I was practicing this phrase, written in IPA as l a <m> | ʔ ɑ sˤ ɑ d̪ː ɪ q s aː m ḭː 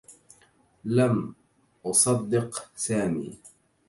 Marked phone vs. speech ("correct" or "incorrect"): correct